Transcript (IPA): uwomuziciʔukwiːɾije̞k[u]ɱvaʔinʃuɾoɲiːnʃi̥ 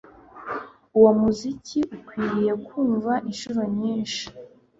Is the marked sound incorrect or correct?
incorrect